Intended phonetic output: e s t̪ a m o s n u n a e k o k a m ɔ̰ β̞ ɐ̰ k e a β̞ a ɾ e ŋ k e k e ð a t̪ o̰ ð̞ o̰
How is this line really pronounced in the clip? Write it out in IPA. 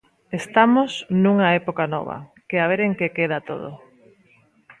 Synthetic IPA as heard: e s t̪ a m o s n u ŋ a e p o k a n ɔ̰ β̞ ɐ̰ k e a β̞ e ɾ e ŋ k e k e ð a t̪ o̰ ð̞ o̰